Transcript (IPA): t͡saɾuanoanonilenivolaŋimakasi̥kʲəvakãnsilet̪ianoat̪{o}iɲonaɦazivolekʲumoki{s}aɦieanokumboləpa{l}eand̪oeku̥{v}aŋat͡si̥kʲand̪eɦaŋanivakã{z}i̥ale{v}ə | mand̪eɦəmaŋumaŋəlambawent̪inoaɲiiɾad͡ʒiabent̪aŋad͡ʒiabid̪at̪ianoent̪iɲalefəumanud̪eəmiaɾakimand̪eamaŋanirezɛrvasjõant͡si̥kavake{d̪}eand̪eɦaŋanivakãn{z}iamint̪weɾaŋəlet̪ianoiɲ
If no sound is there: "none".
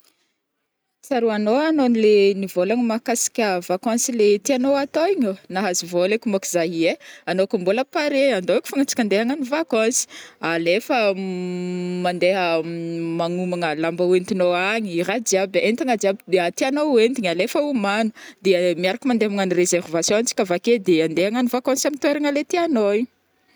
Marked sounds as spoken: o, z, ɾ, f, s, f, d̪, s

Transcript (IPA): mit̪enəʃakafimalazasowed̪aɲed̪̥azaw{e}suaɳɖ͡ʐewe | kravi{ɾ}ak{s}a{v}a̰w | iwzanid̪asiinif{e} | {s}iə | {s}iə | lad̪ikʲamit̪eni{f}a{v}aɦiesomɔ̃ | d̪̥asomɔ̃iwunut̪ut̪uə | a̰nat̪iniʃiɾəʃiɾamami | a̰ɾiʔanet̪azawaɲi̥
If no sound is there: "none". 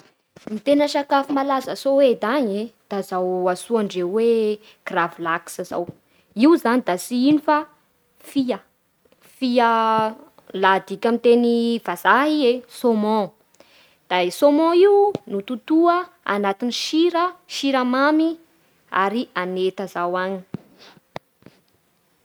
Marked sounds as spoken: a, l, s, z, a, f, f, v, z

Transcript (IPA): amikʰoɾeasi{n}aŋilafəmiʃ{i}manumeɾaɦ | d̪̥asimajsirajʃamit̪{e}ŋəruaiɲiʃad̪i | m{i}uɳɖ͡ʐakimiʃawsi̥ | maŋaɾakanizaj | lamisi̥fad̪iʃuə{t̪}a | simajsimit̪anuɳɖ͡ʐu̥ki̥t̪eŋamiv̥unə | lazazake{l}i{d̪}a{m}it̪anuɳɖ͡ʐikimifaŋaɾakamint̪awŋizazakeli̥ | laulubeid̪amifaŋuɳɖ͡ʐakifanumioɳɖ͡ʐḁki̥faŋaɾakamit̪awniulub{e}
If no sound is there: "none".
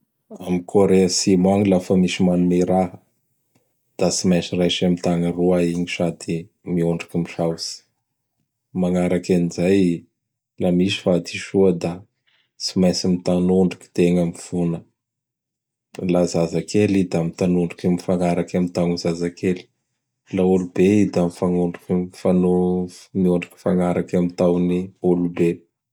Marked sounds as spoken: m, i, a, i, d̪, l, d̪, m, e

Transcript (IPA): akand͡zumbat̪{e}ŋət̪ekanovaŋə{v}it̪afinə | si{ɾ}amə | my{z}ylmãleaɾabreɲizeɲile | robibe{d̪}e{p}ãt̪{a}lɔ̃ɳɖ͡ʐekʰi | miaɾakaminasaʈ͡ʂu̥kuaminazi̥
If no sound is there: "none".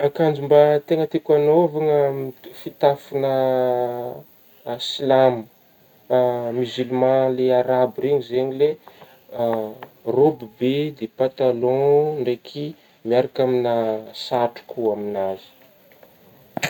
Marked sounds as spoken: e, f, l, z, d̪, p, a

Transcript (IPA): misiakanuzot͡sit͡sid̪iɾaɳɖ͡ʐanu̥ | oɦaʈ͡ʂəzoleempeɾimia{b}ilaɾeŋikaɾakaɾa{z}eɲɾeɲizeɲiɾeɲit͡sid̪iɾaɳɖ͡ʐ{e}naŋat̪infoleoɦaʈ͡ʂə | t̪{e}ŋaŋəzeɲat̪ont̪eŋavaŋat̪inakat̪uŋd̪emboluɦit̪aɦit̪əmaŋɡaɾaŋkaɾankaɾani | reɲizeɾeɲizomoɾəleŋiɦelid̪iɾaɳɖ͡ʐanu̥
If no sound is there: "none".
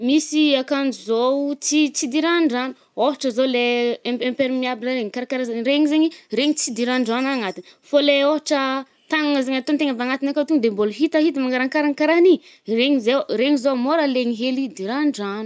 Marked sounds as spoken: b, z, a, a

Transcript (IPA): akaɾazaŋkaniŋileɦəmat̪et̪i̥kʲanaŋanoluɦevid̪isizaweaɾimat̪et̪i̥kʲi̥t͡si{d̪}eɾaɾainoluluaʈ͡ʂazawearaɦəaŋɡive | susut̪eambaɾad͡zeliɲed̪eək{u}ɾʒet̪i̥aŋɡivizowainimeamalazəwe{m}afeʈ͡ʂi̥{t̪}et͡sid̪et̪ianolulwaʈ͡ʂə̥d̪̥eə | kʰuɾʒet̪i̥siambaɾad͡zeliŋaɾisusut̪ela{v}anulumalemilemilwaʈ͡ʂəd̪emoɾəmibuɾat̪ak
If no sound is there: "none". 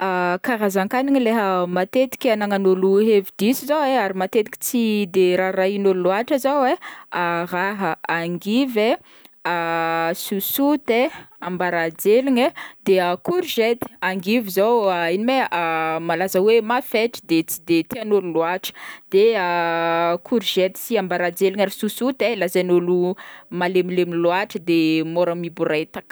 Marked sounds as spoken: d̪, u, m, d̪, z

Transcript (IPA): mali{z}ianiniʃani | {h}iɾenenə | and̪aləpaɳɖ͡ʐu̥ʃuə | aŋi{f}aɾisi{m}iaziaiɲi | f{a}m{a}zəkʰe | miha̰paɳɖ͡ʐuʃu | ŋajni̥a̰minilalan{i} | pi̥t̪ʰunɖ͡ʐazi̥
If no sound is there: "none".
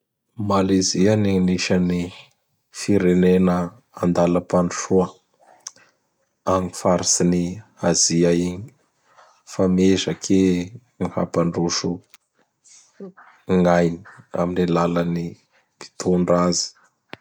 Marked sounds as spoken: z, f, f, n, a, e, i

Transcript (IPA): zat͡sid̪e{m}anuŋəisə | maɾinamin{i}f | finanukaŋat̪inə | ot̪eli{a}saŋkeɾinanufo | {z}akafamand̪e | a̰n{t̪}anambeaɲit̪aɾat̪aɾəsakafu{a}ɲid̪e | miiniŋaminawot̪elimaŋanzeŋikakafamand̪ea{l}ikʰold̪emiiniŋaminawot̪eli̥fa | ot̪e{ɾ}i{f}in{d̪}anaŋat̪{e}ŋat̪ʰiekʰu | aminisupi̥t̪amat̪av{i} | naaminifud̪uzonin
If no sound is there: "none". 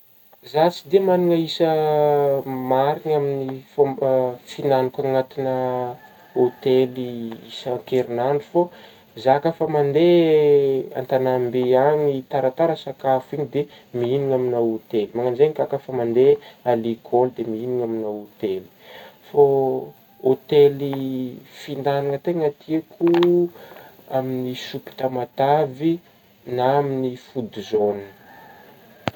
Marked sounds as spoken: m, i, i, z, t̪, i, l, l, f, d̪, e, i

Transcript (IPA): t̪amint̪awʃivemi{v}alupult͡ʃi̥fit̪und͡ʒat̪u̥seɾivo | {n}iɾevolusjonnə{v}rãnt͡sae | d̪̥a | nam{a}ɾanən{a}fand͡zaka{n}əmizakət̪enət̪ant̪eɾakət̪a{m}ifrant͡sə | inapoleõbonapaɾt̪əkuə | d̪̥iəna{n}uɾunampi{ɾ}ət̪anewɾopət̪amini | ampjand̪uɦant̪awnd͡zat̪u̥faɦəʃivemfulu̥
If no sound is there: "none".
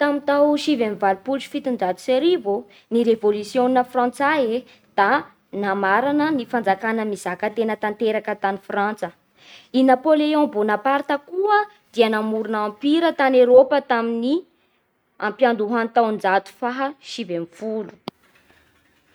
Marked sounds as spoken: v, n, f, a, i, n, n, m, ɾ

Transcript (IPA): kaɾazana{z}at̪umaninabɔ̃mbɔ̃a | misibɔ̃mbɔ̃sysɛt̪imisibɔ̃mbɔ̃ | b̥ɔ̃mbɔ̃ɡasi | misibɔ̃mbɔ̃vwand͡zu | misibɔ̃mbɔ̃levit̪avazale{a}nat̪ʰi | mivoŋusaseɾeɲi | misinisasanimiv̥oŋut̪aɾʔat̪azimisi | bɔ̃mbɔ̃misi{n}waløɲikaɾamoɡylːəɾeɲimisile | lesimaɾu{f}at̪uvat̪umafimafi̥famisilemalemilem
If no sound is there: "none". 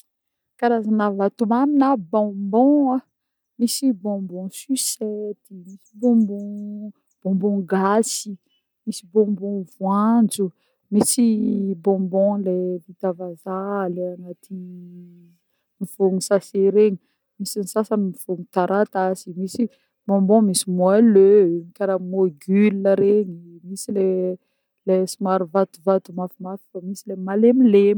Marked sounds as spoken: v, a, m, v

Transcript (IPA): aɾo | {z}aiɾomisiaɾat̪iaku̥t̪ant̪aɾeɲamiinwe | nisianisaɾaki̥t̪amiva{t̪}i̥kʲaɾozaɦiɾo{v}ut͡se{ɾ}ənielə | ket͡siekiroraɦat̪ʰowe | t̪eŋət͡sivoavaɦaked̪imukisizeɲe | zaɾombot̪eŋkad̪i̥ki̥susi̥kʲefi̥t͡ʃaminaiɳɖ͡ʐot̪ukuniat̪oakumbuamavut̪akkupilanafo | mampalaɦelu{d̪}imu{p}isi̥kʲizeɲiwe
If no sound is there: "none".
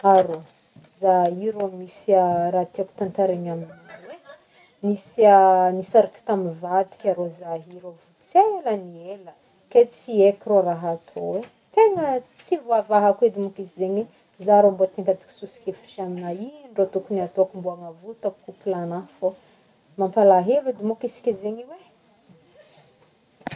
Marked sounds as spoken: z, d̪, v, l, d̪, k

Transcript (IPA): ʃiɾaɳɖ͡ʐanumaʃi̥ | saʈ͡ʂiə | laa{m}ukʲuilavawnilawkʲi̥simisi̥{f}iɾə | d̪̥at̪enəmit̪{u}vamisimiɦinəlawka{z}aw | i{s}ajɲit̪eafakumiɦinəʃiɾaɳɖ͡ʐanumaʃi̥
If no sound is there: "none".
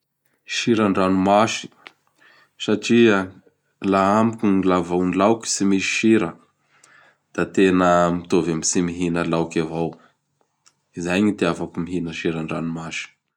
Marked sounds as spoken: m, ʃ, o, v, z

